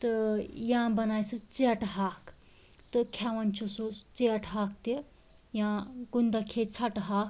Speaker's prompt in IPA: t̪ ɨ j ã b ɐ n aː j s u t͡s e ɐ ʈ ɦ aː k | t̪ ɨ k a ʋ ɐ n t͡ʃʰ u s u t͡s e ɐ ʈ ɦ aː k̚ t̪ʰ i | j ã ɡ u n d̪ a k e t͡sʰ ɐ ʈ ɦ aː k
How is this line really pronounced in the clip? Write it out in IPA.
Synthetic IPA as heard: t̪ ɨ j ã b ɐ n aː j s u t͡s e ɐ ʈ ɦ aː k | t̪ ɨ kʰ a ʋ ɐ n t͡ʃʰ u s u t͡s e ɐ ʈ ɦ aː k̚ t̪ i | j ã ɡ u n d̪ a kʰ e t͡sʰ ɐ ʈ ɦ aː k